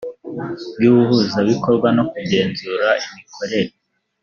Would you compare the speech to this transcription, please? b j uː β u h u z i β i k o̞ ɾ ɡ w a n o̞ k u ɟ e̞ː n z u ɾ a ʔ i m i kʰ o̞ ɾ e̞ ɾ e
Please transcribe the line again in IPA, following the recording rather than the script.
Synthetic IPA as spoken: b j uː β u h u z a β i k o̞ ɾ ɡ w a n o̞ k u ɟ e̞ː n z u ɾ a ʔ i m i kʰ o̞ ɾ e̞ ɾ e